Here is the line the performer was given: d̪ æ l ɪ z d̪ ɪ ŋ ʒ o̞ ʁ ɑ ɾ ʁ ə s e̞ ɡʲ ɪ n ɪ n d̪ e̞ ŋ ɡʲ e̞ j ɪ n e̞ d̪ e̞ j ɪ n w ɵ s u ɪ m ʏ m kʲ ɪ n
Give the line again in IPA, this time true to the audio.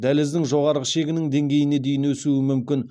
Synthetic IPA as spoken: d̪ æ l ɪ z d̪ ɪ ŋ ʒ o̞ ʁ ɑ ɾ ʁ ə ʃ e̞ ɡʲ ɪ n ɪ ŋ d̪ e̞ ŋ ɡʲ e̞ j ɪ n e̞ d̪ e̞ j ɪ n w ɵ s u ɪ m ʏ m kʲ ɪ n